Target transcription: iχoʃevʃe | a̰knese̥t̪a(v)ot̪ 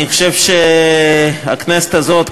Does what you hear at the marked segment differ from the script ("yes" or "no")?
yes